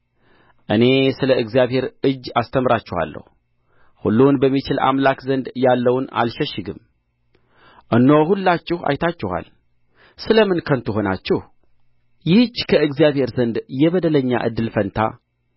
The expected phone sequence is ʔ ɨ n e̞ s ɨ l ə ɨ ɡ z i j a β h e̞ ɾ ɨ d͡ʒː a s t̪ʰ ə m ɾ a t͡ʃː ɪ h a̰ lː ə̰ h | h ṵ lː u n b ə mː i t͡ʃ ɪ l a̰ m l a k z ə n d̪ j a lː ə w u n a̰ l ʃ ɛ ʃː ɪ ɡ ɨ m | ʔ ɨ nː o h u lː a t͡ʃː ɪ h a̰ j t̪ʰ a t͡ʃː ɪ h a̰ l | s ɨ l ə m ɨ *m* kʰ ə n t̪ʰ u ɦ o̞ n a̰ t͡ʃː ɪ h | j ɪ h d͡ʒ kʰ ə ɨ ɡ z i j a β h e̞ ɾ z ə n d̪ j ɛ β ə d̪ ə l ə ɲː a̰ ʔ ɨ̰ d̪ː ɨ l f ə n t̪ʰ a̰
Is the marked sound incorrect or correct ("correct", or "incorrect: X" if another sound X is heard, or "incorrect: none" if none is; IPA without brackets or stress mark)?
incorrect: n